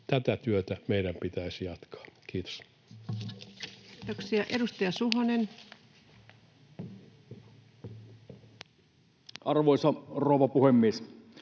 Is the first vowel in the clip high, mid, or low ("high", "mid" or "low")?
low